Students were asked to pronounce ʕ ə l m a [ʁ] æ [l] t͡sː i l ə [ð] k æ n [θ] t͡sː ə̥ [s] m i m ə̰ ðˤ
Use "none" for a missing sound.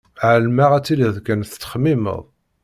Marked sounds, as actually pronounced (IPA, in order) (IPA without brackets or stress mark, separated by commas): ʁ, none, ð, θ, χ